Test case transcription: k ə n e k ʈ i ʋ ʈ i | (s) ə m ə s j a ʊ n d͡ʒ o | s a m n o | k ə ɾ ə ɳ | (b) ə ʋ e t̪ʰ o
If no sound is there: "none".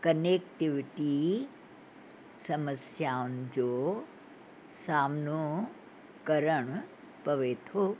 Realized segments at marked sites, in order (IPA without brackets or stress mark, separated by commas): s, p